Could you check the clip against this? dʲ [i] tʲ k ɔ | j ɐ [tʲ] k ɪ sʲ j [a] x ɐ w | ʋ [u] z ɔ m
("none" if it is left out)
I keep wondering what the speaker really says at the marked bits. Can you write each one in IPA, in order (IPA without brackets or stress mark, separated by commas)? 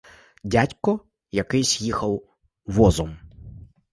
a, none, i, ɔ